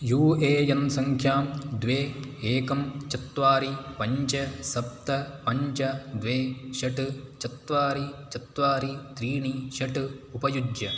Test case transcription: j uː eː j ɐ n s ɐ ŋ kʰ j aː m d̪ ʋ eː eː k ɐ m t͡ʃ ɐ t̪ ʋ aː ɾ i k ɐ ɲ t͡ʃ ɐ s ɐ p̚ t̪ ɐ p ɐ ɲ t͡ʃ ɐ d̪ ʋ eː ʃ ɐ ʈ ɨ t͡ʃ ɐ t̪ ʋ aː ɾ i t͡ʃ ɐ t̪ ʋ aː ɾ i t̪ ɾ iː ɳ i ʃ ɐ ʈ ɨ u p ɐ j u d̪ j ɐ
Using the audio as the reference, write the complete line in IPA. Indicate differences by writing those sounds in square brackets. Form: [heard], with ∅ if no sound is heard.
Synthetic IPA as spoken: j uː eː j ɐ n s ɐ ŋ kʰ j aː m d̪ ʋ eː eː k ɐ m t͡ʃ ɐ t̪ ʋ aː ɾ i [p] ɐ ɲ t͡ʃ ɐ s ɐ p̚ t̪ ɐ p ɐ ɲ t͡ʃ ɐ d̪ ʋ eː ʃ ɐ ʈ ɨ t͡ʃ ɐ t̪ ʋ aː ɾ i t͡ʃ ɐ t̪ ʋ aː ɾ i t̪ ɾ iː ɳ i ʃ ɐ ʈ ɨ u p ɐ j u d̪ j ɐ